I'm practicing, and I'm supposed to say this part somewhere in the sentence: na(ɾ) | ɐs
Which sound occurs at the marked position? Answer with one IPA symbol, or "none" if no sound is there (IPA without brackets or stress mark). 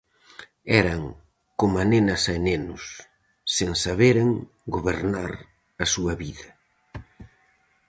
ɾ